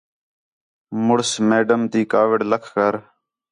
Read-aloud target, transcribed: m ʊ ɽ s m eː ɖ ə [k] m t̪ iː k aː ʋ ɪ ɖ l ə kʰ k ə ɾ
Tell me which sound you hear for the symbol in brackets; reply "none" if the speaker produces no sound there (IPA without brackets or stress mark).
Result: none